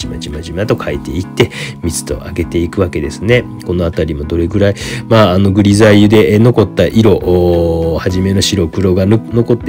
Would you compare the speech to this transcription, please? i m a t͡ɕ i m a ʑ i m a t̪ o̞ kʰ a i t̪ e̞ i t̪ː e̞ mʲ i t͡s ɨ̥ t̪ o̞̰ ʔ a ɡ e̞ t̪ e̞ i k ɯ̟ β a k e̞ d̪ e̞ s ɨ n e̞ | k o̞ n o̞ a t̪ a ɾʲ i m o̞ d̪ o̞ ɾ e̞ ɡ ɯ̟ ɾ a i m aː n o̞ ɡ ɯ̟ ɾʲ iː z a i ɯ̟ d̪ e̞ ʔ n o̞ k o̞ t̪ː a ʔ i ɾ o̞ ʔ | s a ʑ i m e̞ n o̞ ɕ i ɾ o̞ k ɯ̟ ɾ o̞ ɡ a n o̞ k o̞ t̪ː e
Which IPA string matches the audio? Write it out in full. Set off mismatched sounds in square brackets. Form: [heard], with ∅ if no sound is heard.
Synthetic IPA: i m a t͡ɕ i m a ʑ i m a t̪ o̞ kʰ a i t̪ e̞ i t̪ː e̞ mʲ i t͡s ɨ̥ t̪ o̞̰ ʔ a ɡ e̞ t̪ e̞ i k ɯ̟ β a k e̞ d̪ e̞ s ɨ n e̞ | k o̞ n o̞ a t̪ a ɾʲ i m o̞ d̪ o̞ ɾ e̞ ɡ ɯ̟ ɾ a i m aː n o̞ ɡ ɯ̟ ɾʲ [i] z a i ɯ̟ d̪ e̞ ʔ n o̞ k o̞ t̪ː a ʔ i ɾ o̞ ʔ | [h] a ʑ i m e̞ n o̞ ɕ i ɾ o̞ k ɯ̟ ɾ o̞ ɡ a n o̞ k o̞ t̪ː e